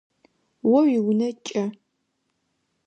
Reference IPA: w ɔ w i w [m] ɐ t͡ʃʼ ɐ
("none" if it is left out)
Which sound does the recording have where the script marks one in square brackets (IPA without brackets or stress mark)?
n